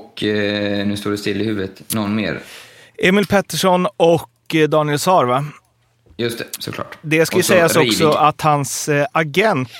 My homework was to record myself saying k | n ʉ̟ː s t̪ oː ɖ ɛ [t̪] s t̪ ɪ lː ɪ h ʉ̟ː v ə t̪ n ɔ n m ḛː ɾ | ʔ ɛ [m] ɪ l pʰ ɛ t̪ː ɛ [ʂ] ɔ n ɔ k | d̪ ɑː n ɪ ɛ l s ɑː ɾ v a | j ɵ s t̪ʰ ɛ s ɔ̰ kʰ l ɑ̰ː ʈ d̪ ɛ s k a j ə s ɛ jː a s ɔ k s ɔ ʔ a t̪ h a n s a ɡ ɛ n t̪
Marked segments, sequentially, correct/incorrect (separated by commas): incorrect, correct, correct